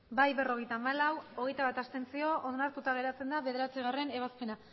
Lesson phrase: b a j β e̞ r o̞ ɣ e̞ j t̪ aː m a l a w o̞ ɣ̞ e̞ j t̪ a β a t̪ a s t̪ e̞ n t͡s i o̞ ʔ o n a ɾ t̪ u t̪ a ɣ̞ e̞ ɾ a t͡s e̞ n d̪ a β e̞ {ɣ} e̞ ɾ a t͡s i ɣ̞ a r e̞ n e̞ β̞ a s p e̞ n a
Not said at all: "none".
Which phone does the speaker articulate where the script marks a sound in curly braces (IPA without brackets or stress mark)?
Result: ð